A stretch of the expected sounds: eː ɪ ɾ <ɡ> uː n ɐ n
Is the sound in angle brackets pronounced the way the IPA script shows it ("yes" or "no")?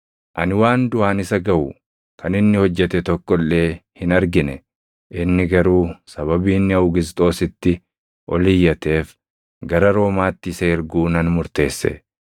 yes